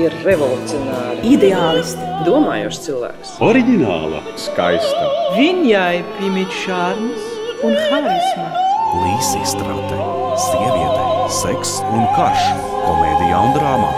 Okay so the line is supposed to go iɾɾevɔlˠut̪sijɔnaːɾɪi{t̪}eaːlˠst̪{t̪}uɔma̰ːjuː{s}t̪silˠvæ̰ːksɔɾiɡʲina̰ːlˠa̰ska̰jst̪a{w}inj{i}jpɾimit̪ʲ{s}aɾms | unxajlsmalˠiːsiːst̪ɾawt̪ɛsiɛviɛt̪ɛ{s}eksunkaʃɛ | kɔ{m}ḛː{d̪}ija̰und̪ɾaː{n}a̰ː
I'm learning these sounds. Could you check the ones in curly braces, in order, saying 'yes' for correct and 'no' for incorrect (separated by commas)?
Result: no, no, no, no, no, no, yes, yes, yes, no